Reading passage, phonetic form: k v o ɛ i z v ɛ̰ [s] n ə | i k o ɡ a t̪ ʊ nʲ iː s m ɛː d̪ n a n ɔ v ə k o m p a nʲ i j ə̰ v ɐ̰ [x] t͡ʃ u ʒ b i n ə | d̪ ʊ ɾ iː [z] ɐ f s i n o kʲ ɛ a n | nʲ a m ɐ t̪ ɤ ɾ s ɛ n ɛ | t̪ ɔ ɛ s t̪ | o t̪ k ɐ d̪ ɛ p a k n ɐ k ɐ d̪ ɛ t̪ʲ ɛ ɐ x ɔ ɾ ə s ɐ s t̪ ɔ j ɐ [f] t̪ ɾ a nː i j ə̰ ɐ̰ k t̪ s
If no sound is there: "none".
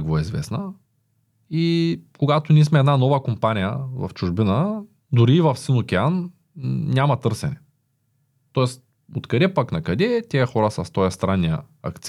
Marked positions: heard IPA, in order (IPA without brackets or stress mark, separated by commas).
s, f, v, s